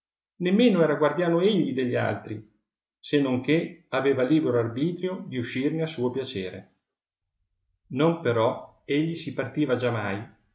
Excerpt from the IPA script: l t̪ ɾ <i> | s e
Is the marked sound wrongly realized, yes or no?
no